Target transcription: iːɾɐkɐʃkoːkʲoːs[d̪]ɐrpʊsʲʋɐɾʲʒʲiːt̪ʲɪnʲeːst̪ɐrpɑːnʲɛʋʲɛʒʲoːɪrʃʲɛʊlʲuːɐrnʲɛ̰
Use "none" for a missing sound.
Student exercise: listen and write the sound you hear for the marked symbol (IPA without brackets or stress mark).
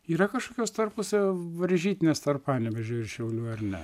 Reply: t̪